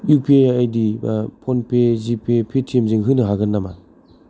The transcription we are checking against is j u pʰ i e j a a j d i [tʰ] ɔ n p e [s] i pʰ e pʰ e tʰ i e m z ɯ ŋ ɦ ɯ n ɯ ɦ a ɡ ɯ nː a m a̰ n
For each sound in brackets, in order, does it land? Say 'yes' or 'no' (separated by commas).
no, no